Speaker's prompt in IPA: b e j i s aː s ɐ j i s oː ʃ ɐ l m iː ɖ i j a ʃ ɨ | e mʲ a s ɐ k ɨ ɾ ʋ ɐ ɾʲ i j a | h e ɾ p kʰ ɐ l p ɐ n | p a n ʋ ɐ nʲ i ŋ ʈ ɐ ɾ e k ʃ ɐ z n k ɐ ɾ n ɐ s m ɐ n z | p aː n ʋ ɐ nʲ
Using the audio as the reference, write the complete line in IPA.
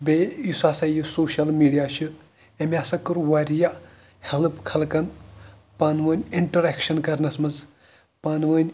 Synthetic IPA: b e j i s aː s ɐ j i s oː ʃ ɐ l m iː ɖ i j a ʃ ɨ | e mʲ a s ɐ k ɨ ɾ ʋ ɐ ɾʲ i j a | h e l p kʰ ɐ l k ɐ n | p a n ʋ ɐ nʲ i ɳ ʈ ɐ ɾ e k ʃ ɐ n k ɐ ɾ n ɐ s m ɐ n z | p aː n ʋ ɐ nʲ